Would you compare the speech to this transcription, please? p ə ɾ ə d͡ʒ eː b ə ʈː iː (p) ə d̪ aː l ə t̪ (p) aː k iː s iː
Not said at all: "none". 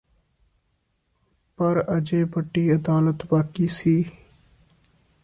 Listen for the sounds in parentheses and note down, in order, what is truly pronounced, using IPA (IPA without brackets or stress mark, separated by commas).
none, b